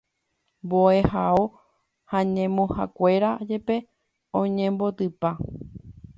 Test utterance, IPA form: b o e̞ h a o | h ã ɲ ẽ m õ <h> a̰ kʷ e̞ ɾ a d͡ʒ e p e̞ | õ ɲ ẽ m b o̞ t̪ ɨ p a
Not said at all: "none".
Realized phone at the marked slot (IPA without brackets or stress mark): h